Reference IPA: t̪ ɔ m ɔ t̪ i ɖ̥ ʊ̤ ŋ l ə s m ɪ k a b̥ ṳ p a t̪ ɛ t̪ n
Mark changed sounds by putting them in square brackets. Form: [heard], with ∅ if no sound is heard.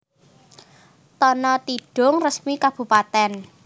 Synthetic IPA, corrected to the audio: t̪ ɔ [n] ɔ t̪ i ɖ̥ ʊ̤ ŋ [r] ə s m [i] k a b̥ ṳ p a t̪ ɛ [∅] n